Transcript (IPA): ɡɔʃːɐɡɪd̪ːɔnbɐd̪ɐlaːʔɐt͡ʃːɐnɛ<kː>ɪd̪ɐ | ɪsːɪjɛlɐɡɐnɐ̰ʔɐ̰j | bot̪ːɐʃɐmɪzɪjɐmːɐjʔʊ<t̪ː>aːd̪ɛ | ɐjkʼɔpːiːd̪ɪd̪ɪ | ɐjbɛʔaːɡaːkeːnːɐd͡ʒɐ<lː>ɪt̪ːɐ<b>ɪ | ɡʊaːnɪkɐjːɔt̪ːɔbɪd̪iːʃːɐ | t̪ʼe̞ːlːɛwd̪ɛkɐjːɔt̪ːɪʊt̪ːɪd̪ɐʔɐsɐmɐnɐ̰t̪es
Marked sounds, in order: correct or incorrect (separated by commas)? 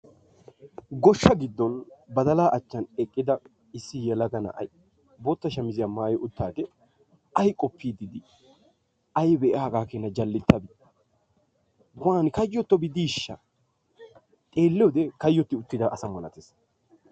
incorrect, correct, correct, correct